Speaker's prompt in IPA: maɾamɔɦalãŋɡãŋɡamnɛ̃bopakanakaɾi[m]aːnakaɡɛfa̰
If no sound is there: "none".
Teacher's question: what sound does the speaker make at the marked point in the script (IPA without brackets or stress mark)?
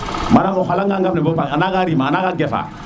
m